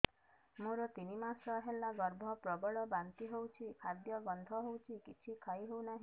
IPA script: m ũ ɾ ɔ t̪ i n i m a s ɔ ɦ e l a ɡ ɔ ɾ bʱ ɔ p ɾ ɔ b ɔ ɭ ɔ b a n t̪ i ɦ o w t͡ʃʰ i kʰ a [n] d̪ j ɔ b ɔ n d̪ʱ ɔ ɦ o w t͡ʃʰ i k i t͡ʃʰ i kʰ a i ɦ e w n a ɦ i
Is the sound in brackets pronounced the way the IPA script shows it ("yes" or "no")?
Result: no